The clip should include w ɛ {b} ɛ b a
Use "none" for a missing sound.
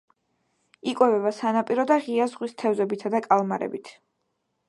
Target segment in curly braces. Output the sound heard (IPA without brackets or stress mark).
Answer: v